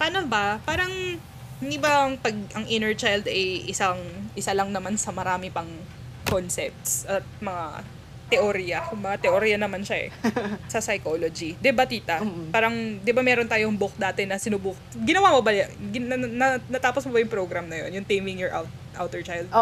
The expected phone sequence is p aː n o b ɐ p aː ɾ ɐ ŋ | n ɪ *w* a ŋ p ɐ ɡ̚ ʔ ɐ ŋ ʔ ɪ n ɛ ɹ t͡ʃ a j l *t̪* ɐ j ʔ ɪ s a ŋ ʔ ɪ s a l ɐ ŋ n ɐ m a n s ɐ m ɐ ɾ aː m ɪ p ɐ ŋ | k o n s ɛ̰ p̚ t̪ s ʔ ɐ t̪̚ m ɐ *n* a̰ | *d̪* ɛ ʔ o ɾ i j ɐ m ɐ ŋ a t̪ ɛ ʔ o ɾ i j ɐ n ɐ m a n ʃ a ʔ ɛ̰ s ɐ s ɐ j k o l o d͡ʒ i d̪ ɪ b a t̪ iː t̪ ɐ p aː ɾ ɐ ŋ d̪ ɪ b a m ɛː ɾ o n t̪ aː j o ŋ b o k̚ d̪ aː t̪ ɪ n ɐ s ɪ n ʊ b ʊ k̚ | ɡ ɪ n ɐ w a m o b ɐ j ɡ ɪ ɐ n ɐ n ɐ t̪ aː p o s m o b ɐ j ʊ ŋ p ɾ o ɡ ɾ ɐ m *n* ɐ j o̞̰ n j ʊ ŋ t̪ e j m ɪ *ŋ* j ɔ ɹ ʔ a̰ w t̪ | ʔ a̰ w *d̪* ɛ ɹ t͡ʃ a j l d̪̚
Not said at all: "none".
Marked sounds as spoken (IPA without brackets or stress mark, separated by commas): b, d̪, ŋ, t̪, n, ŋ, t̪